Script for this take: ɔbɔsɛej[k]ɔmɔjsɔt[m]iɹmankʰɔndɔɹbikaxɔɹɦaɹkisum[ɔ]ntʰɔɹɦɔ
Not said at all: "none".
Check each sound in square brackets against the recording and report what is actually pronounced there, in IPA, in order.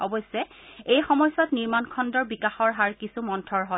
x, n, ɔ

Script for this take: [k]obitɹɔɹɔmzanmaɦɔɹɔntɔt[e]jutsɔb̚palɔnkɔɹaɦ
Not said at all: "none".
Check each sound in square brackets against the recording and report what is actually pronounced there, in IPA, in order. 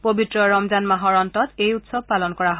p, e

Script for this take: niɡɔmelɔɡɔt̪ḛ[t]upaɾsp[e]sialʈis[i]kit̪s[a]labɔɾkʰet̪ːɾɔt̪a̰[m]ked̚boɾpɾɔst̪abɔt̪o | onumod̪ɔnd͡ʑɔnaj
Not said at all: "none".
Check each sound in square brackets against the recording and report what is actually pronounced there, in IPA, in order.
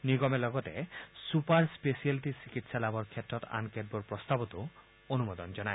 s, e, i, a, n

